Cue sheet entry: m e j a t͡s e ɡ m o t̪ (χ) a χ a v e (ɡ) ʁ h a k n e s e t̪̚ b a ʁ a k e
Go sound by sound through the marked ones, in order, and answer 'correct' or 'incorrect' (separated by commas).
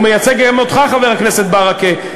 correct, incorrect